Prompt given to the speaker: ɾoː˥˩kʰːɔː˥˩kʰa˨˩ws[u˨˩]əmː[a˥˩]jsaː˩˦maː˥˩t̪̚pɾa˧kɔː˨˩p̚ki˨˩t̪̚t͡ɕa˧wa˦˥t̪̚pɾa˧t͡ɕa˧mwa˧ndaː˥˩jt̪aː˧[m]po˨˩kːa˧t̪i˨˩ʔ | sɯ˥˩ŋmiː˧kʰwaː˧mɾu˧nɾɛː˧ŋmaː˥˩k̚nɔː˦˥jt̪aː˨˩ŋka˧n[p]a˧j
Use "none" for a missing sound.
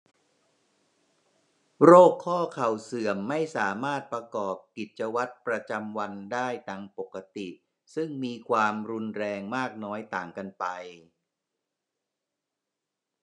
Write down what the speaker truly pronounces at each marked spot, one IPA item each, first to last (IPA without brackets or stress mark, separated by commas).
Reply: ɯ˨˩, a˥˩, ŋ, p